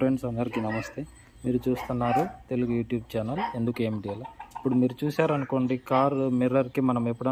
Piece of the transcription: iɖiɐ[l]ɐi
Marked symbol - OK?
yes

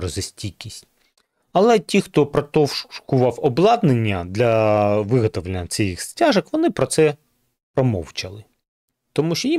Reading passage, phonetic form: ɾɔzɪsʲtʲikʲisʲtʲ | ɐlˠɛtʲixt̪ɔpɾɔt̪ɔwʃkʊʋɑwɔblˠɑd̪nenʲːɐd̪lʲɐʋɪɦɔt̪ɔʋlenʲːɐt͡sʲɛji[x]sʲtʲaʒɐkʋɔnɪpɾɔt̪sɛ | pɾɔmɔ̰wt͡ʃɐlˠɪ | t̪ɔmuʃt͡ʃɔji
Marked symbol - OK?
yes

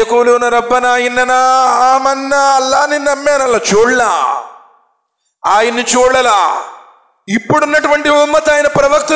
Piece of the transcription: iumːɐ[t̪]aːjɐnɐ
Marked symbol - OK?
yes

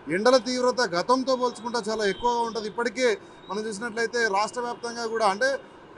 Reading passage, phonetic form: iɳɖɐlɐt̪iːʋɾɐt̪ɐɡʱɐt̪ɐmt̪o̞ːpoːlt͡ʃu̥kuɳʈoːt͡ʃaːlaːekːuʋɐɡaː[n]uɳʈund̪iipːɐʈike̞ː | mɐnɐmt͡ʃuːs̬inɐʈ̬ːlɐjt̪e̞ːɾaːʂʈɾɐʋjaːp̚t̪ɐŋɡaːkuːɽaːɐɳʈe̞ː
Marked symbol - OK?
no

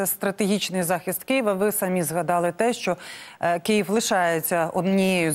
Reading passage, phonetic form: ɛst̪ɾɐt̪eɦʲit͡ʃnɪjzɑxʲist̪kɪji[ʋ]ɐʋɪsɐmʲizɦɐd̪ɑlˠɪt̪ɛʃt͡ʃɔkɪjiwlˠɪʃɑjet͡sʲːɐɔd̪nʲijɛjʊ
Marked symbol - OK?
yes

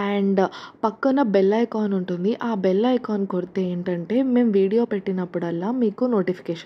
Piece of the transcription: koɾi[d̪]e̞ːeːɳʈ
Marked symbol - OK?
no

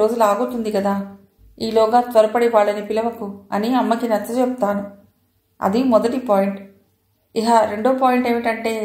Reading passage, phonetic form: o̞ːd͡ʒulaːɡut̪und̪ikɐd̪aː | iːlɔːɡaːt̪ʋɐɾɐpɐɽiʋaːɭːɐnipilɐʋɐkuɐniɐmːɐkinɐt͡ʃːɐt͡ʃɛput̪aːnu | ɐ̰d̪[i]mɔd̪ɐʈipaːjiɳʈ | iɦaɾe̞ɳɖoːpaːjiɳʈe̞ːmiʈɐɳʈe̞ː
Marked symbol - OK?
yes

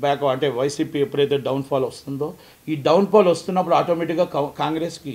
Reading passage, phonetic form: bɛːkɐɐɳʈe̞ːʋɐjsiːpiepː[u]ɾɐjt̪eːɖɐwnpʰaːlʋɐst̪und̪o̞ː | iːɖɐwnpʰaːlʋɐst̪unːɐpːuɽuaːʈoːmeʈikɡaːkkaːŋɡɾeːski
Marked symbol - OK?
yes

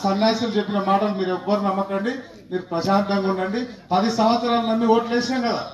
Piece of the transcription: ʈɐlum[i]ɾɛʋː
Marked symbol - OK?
no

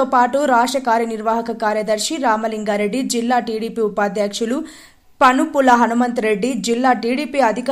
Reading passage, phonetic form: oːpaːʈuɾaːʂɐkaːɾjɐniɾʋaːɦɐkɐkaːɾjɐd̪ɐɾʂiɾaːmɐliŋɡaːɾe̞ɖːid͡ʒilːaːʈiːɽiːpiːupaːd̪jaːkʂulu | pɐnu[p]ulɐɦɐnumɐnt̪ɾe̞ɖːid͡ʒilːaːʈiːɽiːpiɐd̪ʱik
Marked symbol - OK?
yes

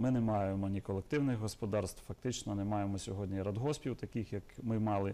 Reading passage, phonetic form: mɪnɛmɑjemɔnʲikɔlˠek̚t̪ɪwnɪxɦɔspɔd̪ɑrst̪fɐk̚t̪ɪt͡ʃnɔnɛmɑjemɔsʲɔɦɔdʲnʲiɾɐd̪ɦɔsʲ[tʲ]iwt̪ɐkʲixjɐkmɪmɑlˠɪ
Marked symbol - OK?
no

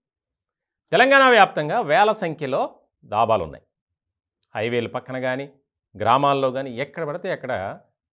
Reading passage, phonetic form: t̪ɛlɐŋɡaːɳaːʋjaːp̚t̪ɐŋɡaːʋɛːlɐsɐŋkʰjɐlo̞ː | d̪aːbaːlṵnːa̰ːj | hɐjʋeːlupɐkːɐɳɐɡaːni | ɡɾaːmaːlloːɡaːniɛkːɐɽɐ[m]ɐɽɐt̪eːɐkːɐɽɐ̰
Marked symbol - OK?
no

